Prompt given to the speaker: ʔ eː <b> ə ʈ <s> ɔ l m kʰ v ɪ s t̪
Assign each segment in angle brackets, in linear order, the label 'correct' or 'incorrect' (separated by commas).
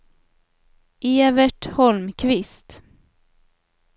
incorrect, incorrect